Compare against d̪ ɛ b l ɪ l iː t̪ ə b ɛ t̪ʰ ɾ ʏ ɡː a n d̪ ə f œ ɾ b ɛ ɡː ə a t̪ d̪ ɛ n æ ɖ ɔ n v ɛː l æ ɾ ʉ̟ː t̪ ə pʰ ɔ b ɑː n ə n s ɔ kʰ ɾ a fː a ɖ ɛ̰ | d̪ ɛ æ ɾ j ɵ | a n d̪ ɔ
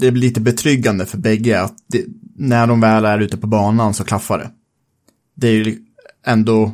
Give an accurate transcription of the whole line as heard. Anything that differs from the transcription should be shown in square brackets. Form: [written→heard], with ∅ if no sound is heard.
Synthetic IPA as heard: d̪ ɛ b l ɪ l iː t̪ ə b ɛ t̪ʰ ɾ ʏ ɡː a n d̪ ə f œ ɾ b ɛ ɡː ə a t̪ d̪ ɛ n æ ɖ ɔ [n→m] v ɛː l æ ɾ ʉ̟ː t̪ ə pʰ ɔ b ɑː n [ə→a] n s ɔ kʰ [ɾ→l] a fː a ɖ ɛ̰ | d̪ ɛ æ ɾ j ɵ | [a→ɛ] n d̪ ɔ